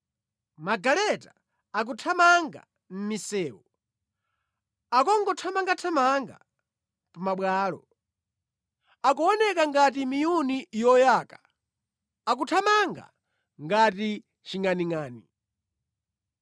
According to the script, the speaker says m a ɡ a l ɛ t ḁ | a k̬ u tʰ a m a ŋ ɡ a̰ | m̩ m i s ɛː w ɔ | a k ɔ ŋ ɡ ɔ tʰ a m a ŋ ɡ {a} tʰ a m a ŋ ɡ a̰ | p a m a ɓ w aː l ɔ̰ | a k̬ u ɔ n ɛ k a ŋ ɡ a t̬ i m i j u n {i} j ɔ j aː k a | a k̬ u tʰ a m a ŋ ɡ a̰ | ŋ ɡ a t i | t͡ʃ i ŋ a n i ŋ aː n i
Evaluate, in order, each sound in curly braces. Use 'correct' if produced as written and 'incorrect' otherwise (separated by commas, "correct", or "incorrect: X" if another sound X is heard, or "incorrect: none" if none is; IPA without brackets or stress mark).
correct, correct